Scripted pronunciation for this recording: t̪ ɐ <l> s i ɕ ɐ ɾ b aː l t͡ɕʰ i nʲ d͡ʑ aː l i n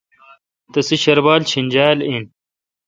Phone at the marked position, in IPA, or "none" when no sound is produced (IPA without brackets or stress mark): none